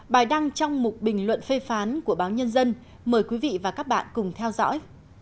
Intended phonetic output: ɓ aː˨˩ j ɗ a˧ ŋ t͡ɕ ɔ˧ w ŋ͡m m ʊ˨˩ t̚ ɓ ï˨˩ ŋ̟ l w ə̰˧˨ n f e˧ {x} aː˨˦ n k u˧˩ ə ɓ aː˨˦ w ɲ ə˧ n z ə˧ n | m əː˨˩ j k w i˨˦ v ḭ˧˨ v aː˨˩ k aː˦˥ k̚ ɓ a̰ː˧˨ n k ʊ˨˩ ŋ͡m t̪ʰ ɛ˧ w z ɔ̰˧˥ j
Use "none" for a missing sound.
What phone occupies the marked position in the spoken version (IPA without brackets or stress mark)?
f